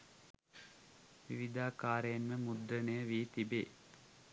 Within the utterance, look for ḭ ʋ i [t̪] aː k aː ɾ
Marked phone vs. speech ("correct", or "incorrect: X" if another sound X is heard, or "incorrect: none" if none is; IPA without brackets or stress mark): incorrect: d̪